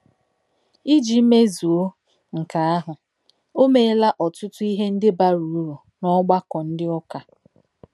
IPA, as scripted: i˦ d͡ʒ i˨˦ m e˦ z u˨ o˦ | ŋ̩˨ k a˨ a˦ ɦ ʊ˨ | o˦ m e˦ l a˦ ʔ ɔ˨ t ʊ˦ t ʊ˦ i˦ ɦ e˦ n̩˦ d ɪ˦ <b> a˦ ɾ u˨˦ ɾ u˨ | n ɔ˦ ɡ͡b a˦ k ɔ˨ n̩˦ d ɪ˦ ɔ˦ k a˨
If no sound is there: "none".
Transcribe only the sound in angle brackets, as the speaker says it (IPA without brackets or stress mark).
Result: b